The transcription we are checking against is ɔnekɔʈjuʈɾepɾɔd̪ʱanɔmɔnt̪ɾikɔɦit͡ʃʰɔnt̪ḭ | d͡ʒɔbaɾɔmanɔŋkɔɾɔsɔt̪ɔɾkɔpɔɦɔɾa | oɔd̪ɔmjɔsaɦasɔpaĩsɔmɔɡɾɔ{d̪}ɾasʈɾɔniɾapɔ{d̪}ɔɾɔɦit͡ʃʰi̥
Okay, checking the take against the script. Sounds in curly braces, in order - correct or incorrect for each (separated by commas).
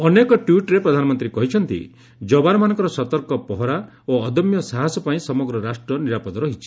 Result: incorrect, correct